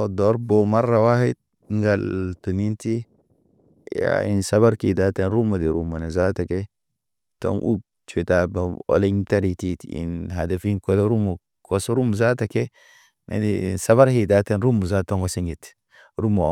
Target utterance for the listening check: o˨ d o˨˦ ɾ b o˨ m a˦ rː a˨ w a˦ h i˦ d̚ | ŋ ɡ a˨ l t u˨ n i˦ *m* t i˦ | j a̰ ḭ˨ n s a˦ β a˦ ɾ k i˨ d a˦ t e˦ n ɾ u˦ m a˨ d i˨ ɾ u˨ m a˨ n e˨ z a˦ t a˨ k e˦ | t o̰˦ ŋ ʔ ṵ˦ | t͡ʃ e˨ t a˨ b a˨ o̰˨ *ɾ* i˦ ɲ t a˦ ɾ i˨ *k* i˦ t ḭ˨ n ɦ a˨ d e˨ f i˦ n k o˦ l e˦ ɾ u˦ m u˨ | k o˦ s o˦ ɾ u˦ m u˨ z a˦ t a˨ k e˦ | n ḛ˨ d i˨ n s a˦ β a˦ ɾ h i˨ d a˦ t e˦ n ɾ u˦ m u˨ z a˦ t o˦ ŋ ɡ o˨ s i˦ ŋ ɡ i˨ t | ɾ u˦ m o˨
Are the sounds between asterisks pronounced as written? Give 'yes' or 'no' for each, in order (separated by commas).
no, no, no